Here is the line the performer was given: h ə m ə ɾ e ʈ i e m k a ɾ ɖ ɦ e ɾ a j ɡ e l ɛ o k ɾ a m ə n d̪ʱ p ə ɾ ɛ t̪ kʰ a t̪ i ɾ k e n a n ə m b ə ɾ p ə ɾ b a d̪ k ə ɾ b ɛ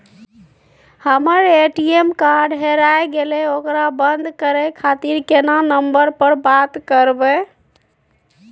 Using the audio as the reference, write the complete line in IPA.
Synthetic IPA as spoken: h ə m ə ɾ e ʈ i e m k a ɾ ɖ ɦ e ɾ a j ɡ e l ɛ o k ɾ a b ə n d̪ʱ k ə ɾ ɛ kʰ a t̪ i ɾ k e n a n ə m b ə ɾ p ə ɾ b a t̪ k ə ɾ b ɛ